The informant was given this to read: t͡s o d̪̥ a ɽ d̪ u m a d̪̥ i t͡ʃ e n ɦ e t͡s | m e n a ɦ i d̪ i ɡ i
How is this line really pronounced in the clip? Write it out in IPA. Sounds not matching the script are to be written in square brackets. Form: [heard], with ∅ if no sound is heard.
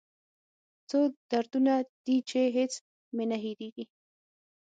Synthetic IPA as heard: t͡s o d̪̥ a [ɾ] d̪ u [n] a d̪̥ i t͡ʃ e [∅] ɦ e t͡s | m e n a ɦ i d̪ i ɡ i